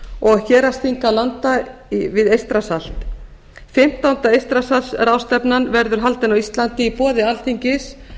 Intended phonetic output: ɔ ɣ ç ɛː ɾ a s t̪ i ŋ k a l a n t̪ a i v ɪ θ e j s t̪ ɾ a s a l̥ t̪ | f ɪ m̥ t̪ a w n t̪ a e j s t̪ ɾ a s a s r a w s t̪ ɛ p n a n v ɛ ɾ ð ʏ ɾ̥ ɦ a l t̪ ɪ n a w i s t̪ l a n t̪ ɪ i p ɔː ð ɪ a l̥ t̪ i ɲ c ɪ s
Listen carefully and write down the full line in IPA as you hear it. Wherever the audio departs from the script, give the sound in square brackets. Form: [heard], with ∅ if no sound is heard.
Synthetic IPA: ɔ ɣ ç ɛː ɾ a s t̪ i ŋ k a l a n t̪ a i v ɪ [ð] e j s t̪ ɾ a s a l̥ t̪ | f ɪ m̥ t̪ a w n t̪ a e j s t̪ ɾ a s a s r a w s t̪ ɛ p n a n v ɛ ɾ ð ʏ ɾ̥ ɦ a l t̪ ɪ n a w i s t̪ l a n t̪ ɪ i p ɔː ð ɪ a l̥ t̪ i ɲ c ɪ s